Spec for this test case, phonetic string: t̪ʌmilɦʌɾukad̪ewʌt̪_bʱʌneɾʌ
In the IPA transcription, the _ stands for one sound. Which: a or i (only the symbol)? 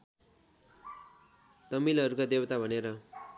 a